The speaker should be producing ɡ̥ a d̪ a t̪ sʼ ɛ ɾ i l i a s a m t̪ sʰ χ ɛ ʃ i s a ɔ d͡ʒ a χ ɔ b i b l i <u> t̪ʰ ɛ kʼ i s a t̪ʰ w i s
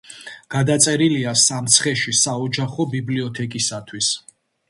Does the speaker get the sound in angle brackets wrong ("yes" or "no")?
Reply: yes